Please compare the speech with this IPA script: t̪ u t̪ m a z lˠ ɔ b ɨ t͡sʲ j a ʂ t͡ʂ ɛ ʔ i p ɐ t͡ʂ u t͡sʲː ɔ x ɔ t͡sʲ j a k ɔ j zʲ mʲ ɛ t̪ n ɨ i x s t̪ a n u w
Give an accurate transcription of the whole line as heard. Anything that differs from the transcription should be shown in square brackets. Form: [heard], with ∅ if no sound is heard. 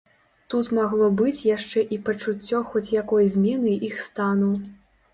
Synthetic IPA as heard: t̪ u t̪ m a [ɣ] lˠ ɔ b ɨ t͡sʲ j a ʂ t͡ʂ ɛ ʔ i p ɐ t͡ʂ u t͡sʲː ɔ x ɔ t͡sʲ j a k ɔ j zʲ mʲ ɛ [∅] n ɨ i x s t̪ a n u w